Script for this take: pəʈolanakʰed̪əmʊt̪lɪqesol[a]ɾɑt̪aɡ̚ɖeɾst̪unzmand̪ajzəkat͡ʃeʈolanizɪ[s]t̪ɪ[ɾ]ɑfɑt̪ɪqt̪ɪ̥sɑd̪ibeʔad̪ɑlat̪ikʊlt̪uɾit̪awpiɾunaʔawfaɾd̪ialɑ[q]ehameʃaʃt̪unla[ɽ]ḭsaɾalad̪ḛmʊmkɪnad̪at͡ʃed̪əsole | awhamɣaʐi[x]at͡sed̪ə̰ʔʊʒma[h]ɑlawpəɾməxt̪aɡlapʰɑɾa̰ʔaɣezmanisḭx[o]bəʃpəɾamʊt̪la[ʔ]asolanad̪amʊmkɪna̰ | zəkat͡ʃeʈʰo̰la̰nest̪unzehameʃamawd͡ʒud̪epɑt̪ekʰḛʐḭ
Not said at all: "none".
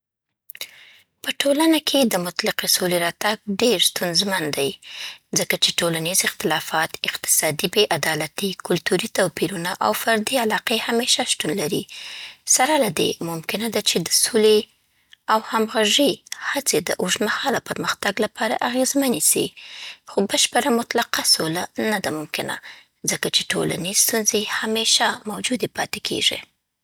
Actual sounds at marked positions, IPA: e, x, l, q, ɾ, h, h, o, q

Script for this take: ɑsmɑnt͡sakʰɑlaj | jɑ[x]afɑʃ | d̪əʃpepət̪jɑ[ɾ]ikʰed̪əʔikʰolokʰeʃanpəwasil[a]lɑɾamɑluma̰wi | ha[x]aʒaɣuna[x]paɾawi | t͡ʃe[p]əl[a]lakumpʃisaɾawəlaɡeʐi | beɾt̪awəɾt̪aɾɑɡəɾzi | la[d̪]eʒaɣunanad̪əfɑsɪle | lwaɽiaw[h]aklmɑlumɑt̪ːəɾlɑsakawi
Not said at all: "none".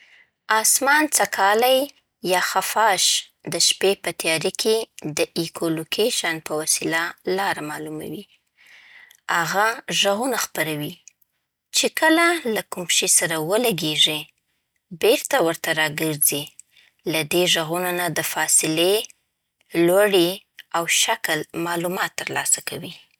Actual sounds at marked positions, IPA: x, ɾ, a, ɣ, x, k, a, d̪, ʃ

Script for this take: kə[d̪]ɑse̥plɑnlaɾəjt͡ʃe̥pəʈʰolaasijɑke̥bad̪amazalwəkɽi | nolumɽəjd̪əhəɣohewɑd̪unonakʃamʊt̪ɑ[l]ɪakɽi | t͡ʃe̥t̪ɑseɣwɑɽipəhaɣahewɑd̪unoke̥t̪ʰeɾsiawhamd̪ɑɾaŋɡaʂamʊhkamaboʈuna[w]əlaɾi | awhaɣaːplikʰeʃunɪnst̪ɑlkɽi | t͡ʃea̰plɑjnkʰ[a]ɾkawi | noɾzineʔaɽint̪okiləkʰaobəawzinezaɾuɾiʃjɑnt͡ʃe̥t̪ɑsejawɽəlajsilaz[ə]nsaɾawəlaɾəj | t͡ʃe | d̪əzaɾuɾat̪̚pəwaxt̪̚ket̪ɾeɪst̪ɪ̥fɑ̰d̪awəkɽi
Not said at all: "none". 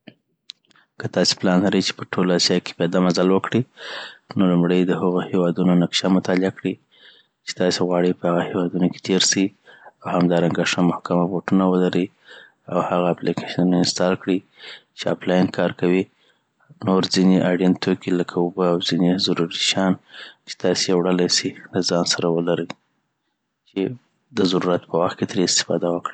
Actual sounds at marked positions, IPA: t̪, l, w, ɑ, ɑ

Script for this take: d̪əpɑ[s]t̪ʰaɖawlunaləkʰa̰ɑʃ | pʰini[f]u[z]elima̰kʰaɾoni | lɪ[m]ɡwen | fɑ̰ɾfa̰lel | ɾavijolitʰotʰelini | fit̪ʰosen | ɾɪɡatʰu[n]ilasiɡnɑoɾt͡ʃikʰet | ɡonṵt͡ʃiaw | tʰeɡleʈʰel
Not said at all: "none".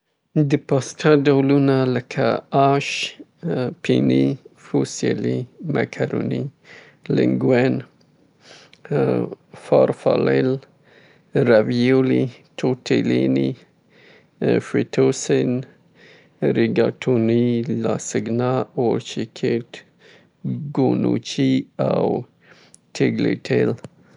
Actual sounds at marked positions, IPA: s, f, s, ŋ, n

